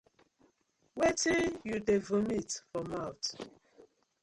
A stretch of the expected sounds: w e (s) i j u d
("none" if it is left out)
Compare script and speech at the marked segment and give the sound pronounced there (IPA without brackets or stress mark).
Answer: t